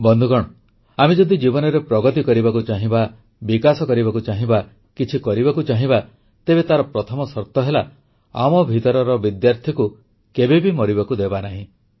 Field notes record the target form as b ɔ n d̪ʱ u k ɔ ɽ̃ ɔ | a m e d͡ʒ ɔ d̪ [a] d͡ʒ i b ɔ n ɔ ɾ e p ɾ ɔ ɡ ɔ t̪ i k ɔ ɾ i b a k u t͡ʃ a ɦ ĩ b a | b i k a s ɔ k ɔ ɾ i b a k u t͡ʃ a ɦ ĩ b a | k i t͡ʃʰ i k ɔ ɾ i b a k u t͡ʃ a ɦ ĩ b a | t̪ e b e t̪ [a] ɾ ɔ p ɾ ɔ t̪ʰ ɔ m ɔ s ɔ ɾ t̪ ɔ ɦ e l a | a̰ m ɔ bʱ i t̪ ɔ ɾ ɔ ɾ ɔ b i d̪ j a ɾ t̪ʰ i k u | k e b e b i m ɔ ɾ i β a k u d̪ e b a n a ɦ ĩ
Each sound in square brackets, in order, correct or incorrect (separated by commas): incorrect, correct